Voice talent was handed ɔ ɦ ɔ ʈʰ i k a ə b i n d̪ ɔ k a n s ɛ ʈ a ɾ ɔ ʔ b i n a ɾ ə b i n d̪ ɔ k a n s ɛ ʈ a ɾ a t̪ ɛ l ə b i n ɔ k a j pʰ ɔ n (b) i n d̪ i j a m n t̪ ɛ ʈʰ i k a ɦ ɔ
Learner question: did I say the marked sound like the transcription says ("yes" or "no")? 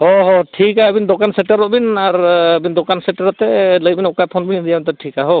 yes